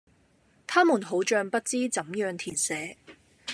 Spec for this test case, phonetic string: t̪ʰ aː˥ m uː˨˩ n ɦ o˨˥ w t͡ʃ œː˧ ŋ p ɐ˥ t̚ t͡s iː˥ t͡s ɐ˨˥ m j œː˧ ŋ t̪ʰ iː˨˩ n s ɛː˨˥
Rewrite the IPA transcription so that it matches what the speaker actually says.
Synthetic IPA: t̪ʰ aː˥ m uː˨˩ n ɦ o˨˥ w t͡ʃ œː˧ ŋ p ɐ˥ t̚ t͡s iː˥ t͡s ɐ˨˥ m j œː˧ ŋ t̪ʰ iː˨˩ n s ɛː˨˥